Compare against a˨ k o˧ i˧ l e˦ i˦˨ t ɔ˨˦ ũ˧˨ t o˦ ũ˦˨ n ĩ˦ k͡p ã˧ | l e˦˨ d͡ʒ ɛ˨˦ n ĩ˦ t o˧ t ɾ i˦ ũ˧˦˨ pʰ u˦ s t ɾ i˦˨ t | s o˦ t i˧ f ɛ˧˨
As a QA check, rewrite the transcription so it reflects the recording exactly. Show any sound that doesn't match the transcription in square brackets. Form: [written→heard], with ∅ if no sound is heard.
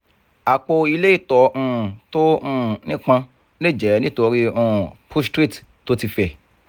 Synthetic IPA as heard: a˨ [k→k͡p] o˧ i˧ l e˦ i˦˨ t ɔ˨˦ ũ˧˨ t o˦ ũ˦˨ n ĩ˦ k͡p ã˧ | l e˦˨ d͡ʒ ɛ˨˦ n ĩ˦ t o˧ [t→∅] ɾ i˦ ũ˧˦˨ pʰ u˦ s t ɾ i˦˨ t | [s→t] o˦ t i˧ f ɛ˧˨